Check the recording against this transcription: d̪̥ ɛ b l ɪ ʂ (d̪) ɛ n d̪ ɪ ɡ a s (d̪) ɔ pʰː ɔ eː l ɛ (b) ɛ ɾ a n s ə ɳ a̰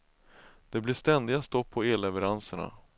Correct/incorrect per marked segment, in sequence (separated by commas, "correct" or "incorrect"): incorrect, incorrect, incorrect